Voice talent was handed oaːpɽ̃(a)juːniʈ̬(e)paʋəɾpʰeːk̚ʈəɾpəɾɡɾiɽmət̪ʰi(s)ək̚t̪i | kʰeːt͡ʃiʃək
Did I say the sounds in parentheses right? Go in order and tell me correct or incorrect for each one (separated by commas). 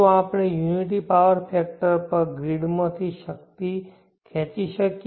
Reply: incorrect, incorrect, incorrect